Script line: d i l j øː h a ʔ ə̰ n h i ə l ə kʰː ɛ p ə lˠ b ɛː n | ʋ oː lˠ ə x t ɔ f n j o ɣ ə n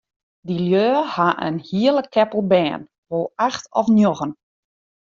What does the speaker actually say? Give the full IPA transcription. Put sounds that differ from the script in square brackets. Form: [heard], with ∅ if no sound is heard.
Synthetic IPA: d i l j øː h a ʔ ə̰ n h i ə l ə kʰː ɛ p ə lˠ b ɛː n | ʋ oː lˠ [a] x t ɔ f n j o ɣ ə n